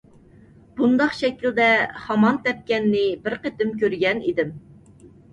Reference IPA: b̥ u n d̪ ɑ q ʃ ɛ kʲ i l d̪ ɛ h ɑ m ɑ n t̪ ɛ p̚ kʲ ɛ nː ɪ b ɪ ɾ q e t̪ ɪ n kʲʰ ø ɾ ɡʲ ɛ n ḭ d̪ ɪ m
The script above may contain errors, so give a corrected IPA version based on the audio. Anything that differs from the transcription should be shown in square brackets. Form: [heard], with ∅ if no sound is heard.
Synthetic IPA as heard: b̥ u n d̪ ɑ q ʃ ɛ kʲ i l d̪ ɛ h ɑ m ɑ n t̪ ɛ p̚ kʲ ɛ nː ɪ b ɪ ɾ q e t̪ ɪ [m] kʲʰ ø ɾ ɡʲ ɛ n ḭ d̪ ɪ m